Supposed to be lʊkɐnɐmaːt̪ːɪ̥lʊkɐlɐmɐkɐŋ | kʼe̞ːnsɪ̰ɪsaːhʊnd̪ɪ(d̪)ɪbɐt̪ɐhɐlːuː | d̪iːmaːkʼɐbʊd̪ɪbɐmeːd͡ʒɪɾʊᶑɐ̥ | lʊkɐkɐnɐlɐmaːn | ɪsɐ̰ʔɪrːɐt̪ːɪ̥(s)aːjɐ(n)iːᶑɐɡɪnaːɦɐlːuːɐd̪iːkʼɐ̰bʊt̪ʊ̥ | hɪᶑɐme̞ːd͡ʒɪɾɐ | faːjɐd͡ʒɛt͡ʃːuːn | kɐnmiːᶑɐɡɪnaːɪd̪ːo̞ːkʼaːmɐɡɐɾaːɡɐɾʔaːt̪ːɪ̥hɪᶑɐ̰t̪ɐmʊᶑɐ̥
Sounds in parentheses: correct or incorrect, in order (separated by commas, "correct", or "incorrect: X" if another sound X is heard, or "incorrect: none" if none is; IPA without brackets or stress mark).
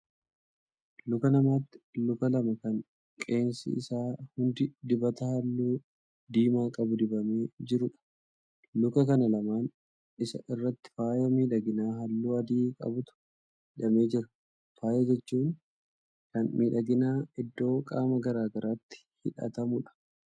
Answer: correct, incorrect: f, incorrect: m